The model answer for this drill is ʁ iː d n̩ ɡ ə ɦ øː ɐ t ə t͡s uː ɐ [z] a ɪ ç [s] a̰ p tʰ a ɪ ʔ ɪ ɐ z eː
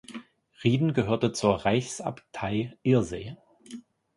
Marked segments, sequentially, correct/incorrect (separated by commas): incorrect, correct